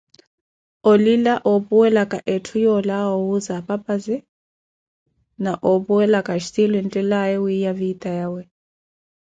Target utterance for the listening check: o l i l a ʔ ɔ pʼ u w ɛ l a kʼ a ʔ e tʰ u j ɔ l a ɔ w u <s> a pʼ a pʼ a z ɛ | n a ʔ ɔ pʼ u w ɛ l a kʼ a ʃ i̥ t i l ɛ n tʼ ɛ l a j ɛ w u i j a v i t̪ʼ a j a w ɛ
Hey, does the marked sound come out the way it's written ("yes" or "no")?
no